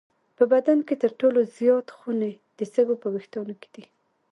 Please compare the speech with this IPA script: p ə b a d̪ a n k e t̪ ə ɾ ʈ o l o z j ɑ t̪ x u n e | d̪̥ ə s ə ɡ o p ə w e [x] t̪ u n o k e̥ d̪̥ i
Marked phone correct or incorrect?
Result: correct